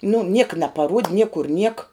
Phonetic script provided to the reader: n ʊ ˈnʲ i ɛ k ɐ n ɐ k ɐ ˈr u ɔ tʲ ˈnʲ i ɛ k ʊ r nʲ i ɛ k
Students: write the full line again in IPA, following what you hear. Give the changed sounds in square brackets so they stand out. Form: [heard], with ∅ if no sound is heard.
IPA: n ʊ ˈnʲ i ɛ k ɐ n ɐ [p] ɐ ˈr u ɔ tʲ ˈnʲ i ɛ k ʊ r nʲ i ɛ k